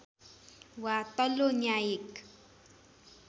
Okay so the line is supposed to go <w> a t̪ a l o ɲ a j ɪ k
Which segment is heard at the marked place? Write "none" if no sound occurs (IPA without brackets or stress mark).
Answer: w